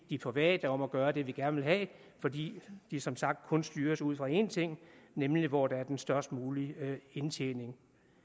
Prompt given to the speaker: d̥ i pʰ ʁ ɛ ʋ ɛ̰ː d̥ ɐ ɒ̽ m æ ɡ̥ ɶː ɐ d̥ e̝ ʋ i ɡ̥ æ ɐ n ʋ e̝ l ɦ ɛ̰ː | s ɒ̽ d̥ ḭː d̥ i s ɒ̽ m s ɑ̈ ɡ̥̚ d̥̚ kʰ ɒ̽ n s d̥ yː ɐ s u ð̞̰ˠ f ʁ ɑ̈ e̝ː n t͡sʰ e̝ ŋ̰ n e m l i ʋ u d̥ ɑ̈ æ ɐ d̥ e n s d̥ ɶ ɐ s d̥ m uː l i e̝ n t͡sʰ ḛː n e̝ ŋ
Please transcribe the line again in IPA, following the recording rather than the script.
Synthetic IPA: d̥ i pʰ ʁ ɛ ʋ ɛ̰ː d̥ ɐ ɒ̽ m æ ɡ̥ ɶː ɐ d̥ e̝ ʋ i ɡ̥ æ ɐ n ʋ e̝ l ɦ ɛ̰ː | f ɒ̽ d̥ ḭː d̥ i s ɒ̽ m s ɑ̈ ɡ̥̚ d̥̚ kʰ ɔ̽ n s d̥ yː ɐ s u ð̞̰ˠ f ʁ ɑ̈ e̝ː n t͡sʰ e̝ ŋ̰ n e m l i ʋ ɒ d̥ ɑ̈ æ ɐ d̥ e n s d̥ ɶ ɐ s d̥ m uː l i e̝ n t͡sʰ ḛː n e̝ ŋ